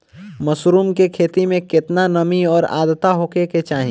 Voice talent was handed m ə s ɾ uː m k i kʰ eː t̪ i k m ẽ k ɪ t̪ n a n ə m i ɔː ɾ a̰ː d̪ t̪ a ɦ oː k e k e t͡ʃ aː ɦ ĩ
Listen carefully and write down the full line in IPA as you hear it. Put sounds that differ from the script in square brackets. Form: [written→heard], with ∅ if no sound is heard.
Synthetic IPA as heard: m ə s ɾ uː m k [i→e] kʰ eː t̪ i [k→∅] m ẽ k ɪ t̪ n a n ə m i ɔː ɾ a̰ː d̪ t̪ a ɦ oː k e k e t͡ʃ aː ɦ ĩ